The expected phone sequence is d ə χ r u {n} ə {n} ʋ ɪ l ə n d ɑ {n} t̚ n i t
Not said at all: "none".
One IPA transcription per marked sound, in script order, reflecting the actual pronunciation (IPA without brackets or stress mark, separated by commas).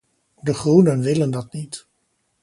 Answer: n, n, none